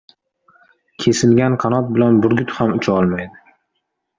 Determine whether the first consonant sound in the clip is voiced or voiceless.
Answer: voiceless